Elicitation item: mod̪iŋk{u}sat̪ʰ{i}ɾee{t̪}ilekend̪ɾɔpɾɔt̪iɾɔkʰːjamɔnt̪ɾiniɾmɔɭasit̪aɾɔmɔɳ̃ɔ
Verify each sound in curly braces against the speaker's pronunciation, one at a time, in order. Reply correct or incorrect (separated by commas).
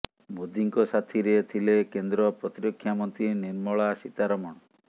incorrect, correct, incorrect